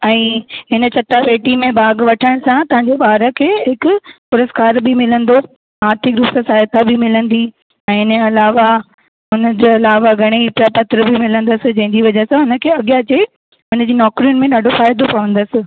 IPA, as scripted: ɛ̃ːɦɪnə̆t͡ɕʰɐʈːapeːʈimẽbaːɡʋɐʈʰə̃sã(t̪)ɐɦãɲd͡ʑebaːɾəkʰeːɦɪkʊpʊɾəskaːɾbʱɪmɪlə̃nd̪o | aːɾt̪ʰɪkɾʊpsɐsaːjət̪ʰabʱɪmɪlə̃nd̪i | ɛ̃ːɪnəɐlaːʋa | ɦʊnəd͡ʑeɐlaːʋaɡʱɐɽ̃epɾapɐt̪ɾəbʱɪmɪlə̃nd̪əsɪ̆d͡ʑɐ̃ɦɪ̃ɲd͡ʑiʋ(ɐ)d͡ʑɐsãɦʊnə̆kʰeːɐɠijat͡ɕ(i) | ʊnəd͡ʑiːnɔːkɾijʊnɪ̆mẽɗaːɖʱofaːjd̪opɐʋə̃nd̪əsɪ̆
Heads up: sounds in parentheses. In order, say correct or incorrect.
correct, correct, incorrect: e

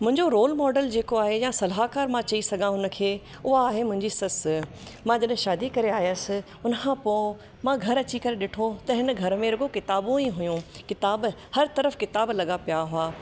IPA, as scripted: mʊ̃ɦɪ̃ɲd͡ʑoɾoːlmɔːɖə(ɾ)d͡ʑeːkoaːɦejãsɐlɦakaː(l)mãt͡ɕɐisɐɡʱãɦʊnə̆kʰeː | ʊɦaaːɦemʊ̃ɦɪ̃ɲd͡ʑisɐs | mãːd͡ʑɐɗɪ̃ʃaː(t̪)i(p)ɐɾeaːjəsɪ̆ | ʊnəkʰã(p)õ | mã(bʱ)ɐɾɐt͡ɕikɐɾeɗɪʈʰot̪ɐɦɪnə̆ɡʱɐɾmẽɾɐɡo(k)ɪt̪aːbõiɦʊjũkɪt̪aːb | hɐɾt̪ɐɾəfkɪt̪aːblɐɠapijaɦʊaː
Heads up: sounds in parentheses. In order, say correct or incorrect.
incorrect: l, incorrect: ɾ, incorrect: d̪, incorrect: k, correct, incorrect: ɡʱ, correct

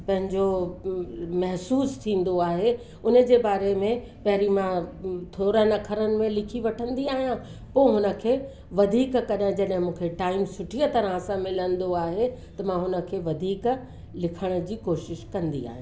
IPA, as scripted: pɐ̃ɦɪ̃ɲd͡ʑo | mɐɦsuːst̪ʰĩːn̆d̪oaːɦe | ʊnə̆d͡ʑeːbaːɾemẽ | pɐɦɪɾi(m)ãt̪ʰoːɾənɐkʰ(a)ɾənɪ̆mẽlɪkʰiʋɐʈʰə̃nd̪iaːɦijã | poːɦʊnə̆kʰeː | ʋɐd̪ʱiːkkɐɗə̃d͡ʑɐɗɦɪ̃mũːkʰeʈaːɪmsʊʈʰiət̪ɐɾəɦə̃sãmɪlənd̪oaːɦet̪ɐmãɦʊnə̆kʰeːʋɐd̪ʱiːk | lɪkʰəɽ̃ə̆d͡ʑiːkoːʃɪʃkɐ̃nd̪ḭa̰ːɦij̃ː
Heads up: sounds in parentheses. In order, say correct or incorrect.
correct, incorrect: ə

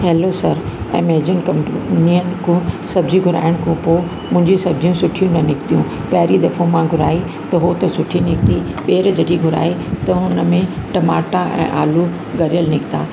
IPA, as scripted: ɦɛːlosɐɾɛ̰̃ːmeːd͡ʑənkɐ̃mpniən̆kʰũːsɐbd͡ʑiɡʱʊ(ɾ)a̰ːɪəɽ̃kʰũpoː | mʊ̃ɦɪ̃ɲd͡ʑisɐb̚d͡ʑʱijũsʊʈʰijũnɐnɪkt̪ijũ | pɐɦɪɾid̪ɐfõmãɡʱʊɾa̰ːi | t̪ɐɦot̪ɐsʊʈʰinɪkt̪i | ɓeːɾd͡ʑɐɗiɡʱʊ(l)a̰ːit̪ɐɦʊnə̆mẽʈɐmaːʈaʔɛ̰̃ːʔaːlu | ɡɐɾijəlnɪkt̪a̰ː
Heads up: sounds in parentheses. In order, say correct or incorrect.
correct, incorrect: ɾ

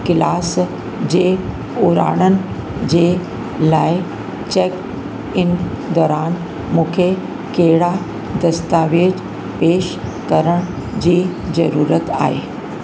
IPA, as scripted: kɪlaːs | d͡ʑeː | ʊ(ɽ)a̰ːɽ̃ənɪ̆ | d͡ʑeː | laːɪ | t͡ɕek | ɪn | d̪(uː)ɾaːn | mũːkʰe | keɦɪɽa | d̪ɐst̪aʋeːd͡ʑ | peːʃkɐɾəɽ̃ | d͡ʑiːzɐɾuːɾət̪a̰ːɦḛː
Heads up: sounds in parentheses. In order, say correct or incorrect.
incorrect: ɾ, incorrect: ɔː

